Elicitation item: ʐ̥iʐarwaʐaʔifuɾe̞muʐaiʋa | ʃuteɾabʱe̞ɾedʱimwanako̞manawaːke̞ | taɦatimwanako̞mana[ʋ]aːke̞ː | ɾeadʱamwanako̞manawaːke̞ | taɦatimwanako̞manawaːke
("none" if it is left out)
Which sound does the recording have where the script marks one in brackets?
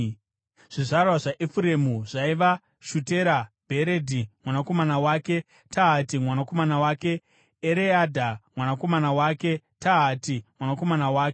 w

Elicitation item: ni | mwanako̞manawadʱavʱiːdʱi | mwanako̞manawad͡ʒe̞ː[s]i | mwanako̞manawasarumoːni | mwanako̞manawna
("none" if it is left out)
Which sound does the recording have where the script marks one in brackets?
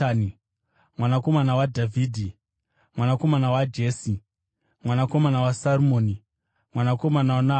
s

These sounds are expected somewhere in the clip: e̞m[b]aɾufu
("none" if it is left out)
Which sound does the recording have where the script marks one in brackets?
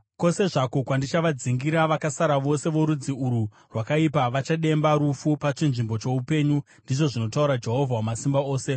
b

